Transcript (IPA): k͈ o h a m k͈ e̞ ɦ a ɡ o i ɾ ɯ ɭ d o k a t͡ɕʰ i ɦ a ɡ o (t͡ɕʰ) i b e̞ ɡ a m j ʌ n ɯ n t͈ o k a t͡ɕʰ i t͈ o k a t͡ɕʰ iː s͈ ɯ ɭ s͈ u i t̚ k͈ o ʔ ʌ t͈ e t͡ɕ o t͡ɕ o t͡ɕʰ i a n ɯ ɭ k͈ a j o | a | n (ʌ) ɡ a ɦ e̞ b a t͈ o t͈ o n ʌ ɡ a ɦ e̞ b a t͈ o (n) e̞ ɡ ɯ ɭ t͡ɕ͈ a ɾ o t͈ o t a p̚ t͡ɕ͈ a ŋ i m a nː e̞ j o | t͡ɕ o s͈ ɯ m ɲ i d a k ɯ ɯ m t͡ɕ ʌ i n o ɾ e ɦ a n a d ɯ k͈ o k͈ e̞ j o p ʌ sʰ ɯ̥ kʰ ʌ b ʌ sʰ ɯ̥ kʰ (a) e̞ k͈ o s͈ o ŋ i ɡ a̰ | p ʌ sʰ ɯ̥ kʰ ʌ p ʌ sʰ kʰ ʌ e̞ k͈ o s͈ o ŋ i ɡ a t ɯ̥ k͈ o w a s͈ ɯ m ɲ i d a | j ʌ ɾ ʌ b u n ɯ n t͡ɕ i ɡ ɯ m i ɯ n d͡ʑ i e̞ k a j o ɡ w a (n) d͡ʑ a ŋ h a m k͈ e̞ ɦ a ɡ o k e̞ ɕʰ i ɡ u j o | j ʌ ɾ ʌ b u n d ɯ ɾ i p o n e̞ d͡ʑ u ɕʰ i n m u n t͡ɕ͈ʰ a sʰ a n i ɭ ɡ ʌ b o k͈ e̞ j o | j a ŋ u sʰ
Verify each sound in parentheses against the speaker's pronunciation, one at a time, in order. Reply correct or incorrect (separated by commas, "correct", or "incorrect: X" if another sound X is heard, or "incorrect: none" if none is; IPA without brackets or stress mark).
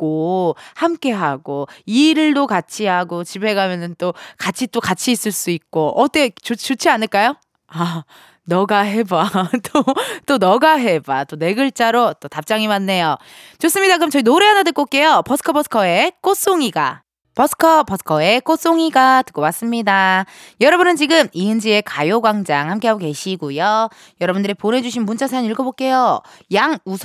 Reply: incorrect: t͡ɕ, correct, correct, incorrect: ʌ, incorrect: ŋ